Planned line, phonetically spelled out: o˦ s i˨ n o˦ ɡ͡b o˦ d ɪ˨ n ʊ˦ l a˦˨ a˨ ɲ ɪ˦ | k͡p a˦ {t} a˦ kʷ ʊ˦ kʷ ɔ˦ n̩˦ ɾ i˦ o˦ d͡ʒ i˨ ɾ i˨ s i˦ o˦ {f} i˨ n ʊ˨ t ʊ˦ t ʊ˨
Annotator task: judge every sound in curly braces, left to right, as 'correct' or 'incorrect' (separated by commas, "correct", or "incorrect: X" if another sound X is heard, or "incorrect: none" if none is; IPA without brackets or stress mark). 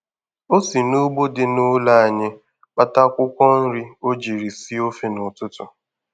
correct, correct